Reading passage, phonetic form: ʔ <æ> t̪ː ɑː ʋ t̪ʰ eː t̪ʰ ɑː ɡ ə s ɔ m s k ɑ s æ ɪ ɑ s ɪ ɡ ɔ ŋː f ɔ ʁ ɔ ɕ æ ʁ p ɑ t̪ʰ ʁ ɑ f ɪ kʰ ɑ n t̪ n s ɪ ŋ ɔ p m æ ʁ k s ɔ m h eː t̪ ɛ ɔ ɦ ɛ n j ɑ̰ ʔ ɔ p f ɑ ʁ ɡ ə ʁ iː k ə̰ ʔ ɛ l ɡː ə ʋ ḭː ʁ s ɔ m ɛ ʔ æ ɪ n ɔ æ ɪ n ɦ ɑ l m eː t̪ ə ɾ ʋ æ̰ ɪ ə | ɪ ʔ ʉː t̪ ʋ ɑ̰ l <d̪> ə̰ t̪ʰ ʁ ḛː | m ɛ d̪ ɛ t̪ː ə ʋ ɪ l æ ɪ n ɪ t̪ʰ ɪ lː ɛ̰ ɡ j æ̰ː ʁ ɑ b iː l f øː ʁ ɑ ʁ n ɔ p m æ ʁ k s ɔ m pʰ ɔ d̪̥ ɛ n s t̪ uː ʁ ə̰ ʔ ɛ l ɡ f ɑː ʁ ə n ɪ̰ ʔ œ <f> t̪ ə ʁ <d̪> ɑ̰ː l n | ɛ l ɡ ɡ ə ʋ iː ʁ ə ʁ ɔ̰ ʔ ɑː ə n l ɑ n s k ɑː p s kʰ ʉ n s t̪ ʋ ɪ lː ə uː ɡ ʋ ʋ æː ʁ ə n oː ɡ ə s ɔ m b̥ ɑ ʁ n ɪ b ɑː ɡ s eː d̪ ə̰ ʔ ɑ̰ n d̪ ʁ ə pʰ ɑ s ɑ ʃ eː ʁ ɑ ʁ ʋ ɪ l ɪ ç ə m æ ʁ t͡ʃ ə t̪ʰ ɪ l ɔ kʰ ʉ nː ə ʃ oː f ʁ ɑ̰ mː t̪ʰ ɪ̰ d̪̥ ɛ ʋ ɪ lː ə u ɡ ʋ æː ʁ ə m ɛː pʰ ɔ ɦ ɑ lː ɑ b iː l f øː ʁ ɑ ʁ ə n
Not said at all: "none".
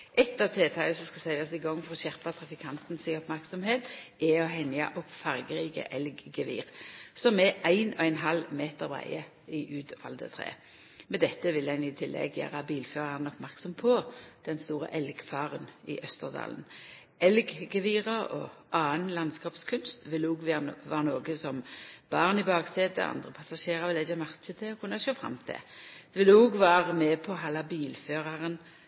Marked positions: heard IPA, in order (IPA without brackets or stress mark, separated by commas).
ɛ, d̪, s, d̪